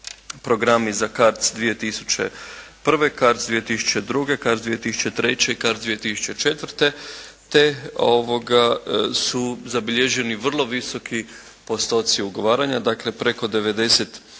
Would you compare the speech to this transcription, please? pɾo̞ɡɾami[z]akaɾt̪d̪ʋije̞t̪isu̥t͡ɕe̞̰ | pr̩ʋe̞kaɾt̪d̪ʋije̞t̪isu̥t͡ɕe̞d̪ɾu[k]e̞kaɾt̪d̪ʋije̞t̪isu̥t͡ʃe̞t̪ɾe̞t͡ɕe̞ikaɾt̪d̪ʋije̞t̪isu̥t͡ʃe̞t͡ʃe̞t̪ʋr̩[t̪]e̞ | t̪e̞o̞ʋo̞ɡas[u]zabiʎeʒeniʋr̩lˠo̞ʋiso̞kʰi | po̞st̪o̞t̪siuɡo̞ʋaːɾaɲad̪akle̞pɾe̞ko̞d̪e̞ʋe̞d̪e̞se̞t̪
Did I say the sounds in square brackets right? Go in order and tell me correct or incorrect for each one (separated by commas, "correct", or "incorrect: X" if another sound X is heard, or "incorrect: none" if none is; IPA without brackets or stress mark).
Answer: correct, incorrect: ɡ, correct, correct